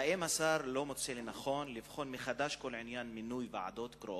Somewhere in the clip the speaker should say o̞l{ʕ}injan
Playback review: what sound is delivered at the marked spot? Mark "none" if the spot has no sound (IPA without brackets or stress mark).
ʕ